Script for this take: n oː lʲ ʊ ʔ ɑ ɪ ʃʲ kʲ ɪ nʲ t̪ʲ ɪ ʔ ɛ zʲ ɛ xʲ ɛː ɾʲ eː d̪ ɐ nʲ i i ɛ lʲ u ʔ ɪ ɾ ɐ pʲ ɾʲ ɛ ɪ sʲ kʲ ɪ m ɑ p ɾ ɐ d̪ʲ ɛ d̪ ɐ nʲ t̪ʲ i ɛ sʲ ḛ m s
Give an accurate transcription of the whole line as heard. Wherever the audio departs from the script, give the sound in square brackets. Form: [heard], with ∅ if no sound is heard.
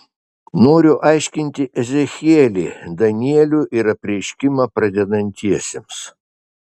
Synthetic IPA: n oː [ɾʲ] ʊ ʔ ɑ ɪ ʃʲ kʲ ɪ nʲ t̪ʲ ɪ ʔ ɛ zʲ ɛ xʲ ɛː [lʲ] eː d̪ ɐ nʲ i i ɛ lʲ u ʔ ɪ ɾ ɐ pʲ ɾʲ ɛ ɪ [ʃʲ] kʲ ɪ m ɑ p ɾ ɐ d̪ʲ ɛ d̪ ɐ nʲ t̪ʲ i ɛ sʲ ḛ m s

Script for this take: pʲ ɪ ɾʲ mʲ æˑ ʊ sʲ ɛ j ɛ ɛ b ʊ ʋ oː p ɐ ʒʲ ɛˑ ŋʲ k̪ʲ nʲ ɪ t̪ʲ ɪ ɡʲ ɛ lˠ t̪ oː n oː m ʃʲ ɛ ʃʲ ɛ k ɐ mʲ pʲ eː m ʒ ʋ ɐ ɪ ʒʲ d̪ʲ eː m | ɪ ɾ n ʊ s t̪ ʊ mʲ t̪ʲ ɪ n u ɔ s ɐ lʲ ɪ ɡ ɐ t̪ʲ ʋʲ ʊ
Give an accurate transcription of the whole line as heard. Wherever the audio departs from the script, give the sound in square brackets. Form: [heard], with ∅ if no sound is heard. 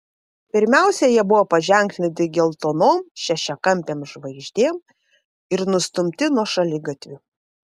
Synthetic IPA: pʲ ɪ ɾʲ mʲ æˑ ʊ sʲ ɛ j [i] ɛ b ʊ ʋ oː p ɐ ʒʲ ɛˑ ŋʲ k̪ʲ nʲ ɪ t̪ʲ ɪ ɡʲ ɛ lˠ t̪ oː n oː m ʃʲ ɛ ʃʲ ɛ k ɐ mʲ pʲ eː m ʒ ʋ ɐ ɪ ʒʲ d̪ʲ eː m | ɪ ɾ n ʊ s t̪ ʊ mʲ t̪ʲ ɪ n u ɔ [ʃ] ɐ lʲ ɪ ɡ ɐ t̪ʲ ʋʲ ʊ

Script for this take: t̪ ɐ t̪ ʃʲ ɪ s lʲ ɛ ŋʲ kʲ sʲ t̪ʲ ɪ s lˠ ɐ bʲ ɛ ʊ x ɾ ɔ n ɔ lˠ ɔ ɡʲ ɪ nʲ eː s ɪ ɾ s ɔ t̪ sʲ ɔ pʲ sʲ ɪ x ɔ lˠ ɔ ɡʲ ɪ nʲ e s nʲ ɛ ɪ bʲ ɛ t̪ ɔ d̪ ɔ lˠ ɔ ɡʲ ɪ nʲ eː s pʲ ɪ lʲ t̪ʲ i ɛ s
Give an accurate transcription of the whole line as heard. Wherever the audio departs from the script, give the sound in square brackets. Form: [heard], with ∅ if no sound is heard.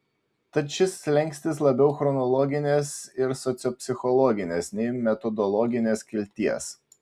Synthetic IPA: t̪ ɐ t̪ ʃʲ ɪ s lʲ ɛ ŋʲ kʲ sʲ t̪ʲ ɪ s lˠ ɐ bʲ ɛ ʊ x ɾ ɔ n ɔ lˠ ɔ ɡʲ ɪ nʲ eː s ɪ ɾ s ɔ t̪ sʲ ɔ pʲ sʲ ɪ x ɔ lˠ ɔ ɡʲ ɪ nʲ e s nʲ ɛ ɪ [mʲ] ɛ t̪ ɔ d̪ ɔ lˠ ɔ ɡʲ ɪ nʲ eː s [kʲ] ɪ lʲ t̪ʲ i ɛ s

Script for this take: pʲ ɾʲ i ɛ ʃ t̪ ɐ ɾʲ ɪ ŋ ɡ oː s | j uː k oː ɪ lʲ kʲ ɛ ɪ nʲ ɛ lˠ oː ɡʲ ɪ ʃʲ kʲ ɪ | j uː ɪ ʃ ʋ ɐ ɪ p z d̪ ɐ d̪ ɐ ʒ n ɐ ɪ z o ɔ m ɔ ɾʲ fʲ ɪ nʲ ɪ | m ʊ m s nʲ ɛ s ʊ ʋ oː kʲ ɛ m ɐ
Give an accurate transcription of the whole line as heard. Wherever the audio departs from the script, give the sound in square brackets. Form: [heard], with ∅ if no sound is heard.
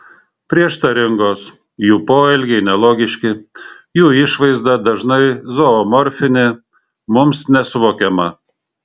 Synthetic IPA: pʲ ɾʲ i ɛ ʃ t̪ ɐ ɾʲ ɪ ŋ ɡ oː s | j uː [p] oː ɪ lʲ [ɡʲ] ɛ ɪ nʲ ɛ lˠ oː ɡʲ ɪ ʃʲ kʲ ɪ | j uː ɪ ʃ ʋ ɐ ɪ [∅] z d̪ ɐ d̪ ɐ ʒ n ɐ ɪ z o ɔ m ɔ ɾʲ fʲ ɪ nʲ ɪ | m ʊ m s nʲ ɛ s ʊ ʋ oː kʲ ɛ m ɐ

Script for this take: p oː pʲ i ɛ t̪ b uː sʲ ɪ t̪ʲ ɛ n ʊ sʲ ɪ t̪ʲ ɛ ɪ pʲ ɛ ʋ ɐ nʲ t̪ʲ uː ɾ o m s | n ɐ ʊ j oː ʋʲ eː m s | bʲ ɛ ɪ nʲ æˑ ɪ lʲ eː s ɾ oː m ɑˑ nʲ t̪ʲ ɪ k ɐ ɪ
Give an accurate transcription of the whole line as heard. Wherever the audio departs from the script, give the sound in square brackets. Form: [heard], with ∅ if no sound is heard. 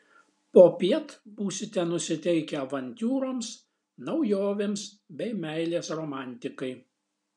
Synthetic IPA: p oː pʲ i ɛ t̪ b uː sʲ ɪ t̪ʲ ɛ n ʊ sʲ ɪ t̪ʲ ɛ ɪ [kʲ] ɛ ʋ ɐ nʲ t̪ʲ uː ɾ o m s | n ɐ ʊ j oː ʋʲ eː m s | bʲ ɛ ɪ [mʲ] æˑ ɪ lʲ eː s ɾ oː m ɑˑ nʲ t̪ʲ ɪ k ɐ ɪ

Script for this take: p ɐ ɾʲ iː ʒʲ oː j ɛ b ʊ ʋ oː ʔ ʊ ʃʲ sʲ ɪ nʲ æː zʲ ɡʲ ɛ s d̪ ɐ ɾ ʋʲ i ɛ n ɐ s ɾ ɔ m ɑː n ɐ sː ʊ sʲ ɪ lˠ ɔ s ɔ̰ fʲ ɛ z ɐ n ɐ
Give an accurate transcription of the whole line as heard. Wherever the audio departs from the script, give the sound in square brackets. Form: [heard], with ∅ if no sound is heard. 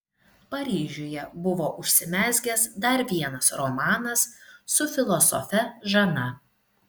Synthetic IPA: p ɐ ɾʲ iː ʒʲ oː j ɛ b ʊ ʋ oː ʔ ʊ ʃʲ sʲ ɪ [mʲ] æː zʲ ɡʲ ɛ s d̪ ɐ ɾ ʋʲ i ɛ n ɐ s ɾ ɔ m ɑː n ɐ sː ʊ [fʲ] ɪ lˠ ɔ s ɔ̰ fʲ ɛ [ʒ] ɐ n ɐ

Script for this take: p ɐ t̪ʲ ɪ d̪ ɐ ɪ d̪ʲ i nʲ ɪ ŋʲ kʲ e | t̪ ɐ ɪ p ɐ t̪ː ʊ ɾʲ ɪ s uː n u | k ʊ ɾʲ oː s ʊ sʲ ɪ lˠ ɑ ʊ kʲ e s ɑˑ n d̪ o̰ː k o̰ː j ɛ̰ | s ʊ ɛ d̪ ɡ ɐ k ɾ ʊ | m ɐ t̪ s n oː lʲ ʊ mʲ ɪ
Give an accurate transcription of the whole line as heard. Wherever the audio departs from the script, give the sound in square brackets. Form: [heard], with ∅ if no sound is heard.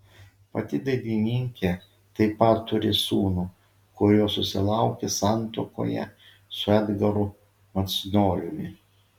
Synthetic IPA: p ɐ t̪ʲ ɪ d̪ ɐ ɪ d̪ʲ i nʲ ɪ ŋʲ kʲ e | t̪ ɐ ɪ p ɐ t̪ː ʊ ɾʲ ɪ s uː n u | k ʊ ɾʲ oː s ʊ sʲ ɪ lˠ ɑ ʊ kʲ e s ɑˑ n [t̪] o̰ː k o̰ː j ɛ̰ | s ʊ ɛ d̪ ɡ ɐ [∅] ɾ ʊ | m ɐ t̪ s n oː lʲ ʊ mʲ ɪ

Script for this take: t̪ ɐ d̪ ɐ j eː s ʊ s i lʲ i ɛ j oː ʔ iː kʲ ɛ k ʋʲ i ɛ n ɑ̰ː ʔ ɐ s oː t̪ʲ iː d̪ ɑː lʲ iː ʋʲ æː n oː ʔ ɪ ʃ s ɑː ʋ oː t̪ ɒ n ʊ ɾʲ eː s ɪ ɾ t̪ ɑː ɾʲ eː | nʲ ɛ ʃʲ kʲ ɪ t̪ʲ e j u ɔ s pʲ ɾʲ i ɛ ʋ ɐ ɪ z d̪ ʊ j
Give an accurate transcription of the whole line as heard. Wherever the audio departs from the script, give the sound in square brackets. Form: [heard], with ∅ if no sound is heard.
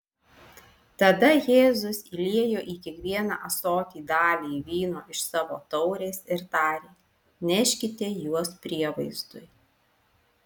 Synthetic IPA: t̪ ɐ d̪ ɐ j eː [z] ʊ s i lʲ i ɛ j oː ʔ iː kʲ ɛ k ʋʲ i ɛ n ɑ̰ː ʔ ɐ s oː t̪ʲ iː d̪ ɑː lʲ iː ʋʲ [iː] n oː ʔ ɪ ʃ s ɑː ʋ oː t̪ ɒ [∅] ʊ ɾʲ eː s ɪ ɾ t̪ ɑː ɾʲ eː | nʲ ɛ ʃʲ kʲ ɪ t̪ʲ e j u ɔ s pʲ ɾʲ i ɛ ʋ ɐ ɪ z d̪ ʊ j

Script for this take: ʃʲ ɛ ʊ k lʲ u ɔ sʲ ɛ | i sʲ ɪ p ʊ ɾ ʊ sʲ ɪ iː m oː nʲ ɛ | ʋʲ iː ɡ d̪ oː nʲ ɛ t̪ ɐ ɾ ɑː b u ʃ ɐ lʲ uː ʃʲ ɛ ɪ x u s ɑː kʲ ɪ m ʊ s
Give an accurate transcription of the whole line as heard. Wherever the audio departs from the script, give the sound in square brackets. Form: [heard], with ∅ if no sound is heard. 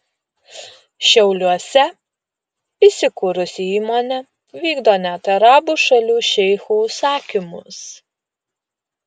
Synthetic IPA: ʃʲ ɛ ʊ [∅] lʲ u ɔ sʲ ɛ | i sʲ ɪ [k] ʊ ɾ ʊ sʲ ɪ iː m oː nʲ ɛ | ʋʲ iː ɡ d̪ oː nʲ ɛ t̪ ɐ ɾ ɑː b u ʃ ɐ lʲ uː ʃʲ ɛ ɪ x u s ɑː kʲ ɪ m ʊ s

